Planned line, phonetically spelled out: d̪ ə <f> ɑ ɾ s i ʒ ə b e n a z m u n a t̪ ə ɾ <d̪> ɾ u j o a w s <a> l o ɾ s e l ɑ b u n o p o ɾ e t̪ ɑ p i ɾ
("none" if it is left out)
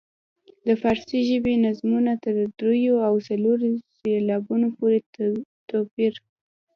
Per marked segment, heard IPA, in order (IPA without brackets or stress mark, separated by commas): f, d̪, a